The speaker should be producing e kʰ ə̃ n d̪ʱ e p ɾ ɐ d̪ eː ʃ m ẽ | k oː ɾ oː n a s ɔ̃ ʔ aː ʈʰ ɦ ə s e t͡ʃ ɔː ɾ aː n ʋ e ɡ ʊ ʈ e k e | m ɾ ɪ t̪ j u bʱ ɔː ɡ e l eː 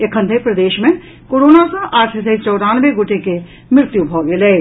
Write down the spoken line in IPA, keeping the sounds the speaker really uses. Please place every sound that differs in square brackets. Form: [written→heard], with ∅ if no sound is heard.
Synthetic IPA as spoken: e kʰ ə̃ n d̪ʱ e p ɾ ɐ d̪ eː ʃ m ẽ | k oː ɾ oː n a s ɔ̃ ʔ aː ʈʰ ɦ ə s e t͡ʃ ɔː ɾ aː n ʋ e ɡ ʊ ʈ e k e | m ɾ ɪ t̪ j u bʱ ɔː ɡ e l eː